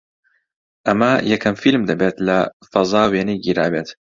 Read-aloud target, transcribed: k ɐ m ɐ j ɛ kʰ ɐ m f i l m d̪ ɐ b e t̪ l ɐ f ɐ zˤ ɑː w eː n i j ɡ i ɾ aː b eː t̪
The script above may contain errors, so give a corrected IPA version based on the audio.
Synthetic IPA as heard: ʔ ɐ m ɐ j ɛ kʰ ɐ m f i l m d̪ ɐ b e t̪ l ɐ f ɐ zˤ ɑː w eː n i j ɡ i ɾ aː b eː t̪

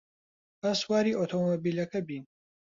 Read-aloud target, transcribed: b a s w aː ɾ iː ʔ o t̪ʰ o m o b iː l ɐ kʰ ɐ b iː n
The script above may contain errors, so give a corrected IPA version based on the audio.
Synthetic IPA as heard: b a s w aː ɾ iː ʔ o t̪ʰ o m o b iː l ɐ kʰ ɐ b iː n

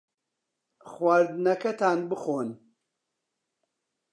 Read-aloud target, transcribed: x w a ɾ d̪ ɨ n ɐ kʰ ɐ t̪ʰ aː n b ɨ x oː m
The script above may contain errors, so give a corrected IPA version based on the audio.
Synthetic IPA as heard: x w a ɾ d̪ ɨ n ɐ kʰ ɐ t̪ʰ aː n b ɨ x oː n

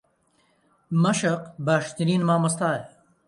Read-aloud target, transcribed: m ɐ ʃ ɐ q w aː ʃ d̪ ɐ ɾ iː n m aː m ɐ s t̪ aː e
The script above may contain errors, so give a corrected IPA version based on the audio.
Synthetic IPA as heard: m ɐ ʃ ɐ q b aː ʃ t̪ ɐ ɾ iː n m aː m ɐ s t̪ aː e

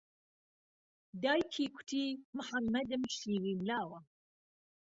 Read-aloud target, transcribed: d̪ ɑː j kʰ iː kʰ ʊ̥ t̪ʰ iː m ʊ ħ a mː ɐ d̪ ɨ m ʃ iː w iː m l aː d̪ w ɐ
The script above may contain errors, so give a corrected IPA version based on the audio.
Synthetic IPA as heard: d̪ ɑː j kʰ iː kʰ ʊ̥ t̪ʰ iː m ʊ ħ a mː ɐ d̪ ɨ m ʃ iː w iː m l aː w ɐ

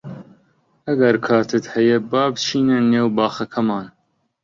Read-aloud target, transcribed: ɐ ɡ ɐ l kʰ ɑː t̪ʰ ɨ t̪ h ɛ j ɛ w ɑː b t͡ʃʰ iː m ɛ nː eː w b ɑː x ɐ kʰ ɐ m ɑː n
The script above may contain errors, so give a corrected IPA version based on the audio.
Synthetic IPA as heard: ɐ ɡ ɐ ɾ kʰ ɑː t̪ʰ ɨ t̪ h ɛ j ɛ b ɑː b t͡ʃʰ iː n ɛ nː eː w b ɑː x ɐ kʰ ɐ m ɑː n

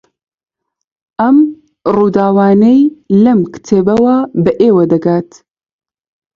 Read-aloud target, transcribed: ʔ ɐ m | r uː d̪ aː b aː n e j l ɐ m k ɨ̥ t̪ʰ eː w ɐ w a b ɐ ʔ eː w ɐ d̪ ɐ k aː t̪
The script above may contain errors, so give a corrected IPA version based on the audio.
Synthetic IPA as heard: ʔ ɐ m | r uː d̪ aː w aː n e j l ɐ m k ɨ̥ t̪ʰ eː b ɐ w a b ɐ ʔ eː w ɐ d̪ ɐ ɡ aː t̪

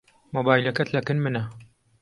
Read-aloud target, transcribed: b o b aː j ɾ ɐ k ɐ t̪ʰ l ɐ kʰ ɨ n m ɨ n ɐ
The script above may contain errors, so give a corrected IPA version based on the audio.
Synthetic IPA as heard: m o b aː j l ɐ k ɐ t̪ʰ l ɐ k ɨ n m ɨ n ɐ

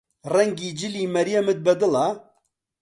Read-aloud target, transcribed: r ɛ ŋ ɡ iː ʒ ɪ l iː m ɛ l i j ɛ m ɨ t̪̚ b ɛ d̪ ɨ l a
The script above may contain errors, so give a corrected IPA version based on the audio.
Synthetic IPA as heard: r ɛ ŋ ɡ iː d͡ʒ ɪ l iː m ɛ ɾ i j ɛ m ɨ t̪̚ b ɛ d̪ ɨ l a

